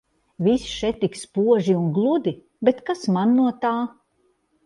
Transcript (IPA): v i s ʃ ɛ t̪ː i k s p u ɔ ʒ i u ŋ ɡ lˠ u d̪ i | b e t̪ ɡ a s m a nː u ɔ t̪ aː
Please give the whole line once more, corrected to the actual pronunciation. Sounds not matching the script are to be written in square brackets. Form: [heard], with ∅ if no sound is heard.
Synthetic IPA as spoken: v i s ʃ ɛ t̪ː i k s p u ɔ ʒ i u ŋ ɡ lˠ u d̪ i | b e t̪ [k] a s m a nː u ɔ t̪ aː